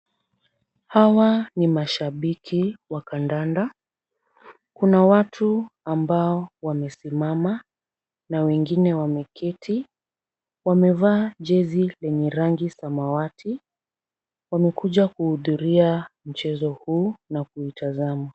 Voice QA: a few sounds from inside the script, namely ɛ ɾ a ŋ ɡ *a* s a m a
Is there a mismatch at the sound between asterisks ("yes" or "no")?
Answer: yes